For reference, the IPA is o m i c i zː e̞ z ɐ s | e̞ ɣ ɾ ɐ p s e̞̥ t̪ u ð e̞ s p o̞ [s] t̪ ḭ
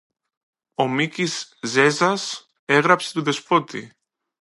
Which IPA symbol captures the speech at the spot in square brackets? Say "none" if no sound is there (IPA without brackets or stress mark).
none